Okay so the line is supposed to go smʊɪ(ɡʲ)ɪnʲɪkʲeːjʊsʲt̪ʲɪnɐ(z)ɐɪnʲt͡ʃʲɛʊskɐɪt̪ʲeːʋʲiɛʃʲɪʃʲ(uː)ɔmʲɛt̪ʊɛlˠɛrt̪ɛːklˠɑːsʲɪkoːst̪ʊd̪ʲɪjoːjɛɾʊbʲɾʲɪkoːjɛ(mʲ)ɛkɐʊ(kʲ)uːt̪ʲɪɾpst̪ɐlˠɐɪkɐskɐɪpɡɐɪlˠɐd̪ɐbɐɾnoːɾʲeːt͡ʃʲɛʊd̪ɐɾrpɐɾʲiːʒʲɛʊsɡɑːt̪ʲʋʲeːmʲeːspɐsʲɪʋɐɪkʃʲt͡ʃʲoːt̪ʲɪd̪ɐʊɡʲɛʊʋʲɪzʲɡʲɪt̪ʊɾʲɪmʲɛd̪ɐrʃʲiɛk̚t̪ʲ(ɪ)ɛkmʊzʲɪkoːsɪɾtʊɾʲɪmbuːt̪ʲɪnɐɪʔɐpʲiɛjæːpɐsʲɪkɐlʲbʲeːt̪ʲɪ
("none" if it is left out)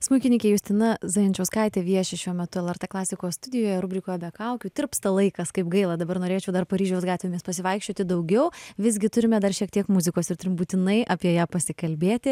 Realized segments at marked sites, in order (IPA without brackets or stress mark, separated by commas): kʲ, z, u, bʲ, kʲ, i